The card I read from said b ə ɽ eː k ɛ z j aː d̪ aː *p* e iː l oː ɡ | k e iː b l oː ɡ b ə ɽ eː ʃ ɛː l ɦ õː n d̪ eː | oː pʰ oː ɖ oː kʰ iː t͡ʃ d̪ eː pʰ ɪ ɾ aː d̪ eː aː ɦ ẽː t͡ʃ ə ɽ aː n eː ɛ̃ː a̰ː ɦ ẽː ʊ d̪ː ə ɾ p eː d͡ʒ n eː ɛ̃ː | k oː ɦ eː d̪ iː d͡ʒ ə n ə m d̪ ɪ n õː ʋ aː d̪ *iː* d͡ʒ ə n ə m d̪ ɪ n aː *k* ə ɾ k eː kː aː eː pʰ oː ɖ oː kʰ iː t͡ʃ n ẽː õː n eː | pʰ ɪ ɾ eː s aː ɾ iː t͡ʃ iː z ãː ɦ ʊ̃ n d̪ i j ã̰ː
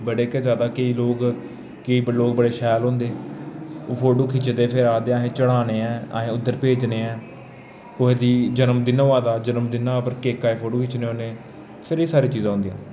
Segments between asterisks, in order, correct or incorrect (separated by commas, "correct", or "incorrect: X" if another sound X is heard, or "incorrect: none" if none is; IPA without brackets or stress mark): incorrect: k, incorrect: aː, incorrect: p